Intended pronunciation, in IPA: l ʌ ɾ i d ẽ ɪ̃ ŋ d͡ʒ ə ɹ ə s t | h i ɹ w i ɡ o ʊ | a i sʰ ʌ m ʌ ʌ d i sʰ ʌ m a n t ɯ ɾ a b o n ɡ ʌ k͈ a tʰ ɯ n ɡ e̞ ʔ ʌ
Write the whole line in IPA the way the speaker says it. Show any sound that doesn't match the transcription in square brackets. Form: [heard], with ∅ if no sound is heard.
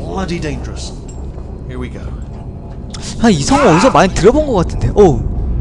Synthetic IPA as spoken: l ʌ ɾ i d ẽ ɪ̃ [n] d͡ʒ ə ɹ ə s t | h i ɹ w i ɡ o ʊ | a i sʰ ʌ [ŋ] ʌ ʌ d i sʰ ʌ m a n t ɯ ɾ [ʌ] b o n ɡ ʌ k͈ a tʰ ɯ n [d] e̞ ʔ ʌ